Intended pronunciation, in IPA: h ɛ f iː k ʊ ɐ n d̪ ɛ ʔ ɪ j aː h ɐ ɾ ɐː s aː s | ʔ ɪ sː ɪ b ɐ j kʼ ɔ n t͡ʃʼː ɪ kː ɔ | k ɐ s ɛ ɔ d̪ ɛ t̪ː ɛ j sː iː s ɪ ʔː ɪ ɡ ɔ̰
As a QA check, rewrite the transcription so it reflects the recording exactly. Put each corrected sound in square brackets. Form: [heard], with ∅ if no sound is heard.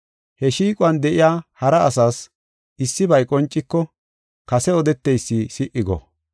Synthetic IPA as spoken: h ɛ [ʃ] iː [kʼ] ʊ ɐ n d̪ ɛ ʔ ɪ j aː h ɐ ɾ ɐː s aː s | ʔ ɪ sː ɪ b ɐ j kʼ ɔ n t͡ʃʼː ɪ kː ɔ | k ɐ s ɛ ɔ d̪ ɛ t̪ː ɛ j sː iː s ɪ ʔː ɪ ɡ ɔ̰